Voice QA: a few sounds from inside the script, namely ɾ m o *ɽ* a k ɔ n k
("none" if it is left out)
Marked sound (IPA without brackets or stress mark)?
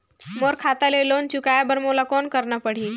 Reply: l